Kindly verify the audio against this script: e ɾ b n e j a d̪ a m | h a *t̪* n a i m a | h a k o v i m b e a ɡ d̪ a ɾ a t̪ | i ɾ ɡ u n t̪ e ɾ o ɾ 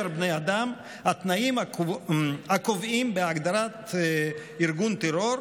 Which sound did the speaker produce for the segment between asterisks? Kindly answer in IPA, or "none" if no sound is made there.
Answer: t̪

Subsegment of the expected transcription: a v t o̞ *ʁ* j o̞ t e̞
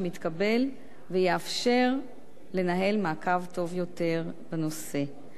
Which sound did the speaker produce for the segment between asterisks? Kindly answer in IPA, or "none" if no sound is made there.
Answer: v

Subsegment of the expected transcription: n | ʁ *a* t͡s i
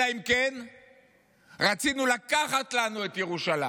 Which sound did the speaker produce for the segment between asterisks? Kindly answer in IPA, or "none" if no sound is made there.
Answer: a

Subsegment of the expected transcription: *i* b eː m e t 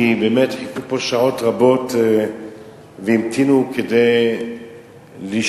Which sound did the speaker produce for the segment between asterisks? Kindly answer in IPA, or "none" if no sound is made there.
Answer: i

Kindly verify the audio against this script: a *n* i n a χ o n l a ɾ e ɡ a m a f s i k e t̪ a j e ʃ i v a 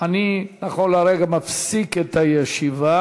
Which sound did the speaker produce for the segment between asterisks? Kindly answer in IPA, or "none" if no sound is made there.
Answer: n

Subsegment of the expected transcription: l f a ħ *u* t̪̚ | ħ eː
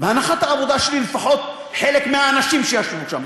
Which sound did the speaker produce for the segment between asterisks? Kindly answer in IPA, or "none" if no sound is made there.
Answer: o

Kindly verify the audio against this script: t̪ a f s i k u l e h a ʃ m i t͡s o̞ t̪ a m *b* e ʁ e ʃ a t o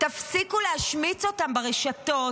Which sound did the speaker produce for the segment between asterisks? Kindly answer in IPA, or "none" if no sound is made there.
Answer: b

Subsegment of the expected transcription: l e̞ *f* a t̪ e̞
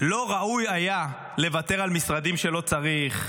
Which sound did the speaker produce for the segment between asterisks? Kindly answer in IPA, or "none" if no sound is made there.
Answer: v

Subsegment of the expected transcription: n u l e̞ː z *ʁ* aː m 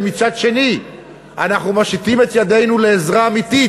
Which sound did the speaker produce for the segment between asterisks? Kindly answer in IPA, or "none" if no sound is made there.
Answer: ʁ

